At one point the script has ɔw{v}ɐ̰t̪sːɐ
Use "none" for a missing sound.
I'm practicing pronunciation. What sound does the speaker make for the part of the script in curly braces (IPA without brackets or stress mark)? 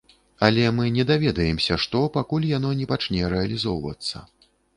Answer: v